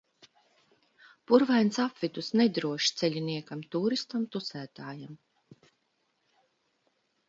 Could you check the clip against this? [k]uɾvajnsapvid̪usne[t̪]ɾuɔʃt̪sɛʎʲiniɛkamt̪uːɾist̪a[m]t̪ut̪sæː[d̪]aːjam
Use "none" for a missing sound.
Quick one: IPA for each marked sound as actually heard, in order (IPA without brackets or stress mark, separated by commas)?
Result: p, d̪, m, t̪